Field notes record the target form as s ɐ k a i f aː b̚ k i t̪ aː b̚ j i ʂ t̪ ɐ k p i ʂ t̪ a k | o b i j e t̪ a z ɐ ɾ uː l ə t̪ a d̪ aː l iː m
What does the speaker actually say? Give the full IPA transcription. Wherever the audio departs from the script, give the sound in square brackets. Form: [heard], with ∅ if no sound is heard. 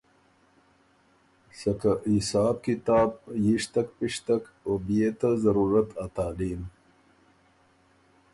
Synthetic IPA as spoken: s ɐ k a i [s] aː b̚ k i t̪ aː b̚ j i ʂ t̪ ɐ k p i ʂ t̪ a k | o b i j e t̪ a z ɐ ɾ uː [ɾ] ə t̪ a [t̪] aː l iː m